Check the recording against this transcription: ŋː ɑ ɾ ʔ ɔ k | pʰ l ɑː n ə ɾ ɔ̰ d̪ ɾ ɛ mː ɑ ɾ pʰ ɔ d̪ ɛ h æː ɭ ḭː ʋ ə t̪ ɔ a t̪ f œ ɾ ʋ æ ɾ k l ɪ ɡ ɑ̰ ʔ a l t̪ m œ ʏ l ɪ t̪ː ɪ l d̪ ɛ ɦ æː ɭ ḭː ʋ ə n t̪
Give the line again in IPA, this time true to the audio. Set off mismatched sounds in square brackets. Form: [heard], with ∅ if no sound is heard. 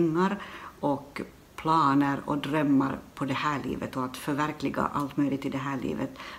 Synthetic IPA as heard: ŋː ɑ ɾ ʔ ɔ k | pʰ l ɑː n ə ɾ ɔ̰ d̪ ɾ [œ] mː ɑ ɾ pʰ ɔ d̪ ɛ h æː ɭ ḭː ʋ ə t̪ ɔ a t̪ f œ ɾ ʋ æ ɾ k l ɪ ɡ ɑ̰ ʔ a l t̪ m œ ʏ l ɪ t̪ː ɪ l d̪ ɛ ɦ æː ɭ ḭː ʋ ə [∅] t̪